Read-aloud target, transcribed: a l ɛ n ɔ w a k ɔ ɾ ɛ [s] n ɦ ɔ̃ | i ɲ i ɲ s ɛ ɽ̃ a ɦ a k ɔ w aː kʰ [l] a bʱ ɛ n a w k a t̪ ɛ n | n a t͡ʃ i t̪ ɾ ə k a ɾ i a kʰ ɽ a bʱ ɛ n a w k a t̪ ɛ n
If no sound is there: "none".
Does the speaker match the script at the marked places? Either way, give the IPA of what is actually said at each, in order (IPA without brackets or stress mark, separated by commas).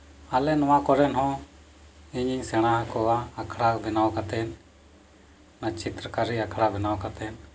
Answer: none, ɽ